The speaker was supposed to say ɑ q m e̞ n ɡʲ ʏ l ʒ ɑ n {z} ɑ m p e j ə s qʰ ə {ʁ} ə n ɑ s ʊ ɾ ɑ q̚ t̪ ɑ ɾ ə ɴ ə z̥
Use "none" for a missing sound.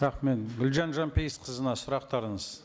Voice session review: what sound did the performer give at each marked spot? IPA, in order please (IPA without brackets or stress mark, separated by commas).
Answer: ʒ, z